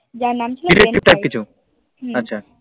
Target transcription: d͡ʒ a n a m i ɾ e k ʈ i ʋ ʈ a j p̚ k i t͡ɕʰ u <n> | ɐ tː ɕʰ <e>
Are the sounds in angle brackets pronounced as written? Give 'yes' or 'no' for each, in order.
no, no

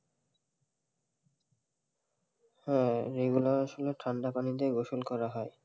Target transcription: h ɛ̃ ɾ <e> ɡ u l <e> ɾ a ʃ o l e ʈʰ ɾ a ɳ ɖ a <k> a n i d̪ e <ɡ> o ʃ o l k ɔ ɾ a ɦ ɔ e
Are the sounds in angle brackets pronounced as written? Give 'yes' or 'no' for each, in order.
yes, no, no, yes

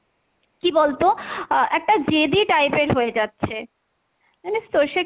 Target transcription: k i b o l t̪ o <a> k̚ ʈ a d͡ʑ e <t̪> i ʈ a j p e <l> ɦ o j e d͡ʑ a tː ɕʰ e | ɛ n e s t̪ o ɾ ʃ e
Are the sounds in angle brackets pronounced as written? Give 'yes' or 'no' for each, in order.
no, no, no

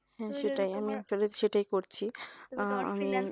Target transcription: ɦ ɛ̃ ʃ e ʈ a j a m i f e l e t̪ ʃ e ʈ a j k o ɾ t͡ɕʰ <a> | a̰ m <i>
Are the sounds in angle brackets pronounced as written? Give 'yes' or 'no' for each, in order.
no, yes

